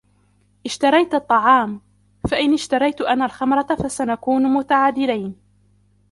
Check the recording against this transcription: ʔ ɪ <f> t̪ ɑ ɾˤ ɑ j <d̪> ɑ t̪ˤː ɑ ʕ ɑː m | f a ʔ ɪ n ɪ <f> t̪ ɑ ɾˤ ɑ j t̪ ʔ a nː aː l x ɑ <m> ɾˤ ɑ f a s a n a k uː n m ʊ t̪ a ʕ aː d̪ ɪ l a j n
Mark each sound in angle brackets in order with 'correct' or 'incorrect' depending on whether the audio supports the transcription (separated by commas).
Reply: incorrect, incorrect, incorrect, correct